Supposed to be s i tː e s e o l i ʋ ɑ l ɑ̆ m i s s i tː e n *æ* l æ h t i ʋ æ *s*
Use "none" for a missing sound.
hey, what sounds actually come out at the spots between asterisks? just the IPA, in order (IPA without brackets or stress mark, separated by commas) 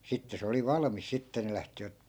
e, t